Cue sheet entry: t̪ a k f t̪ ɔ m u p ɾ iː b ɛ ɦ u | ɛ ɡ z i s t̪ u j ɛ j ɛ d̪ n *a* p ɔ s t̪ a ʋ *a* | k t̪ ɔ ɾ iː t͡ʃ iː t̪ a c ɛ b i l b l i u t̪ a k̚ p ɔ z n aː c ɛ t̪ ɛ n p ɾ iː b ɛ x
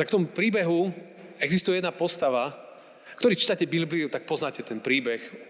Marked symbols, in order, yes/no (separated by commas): yes, yes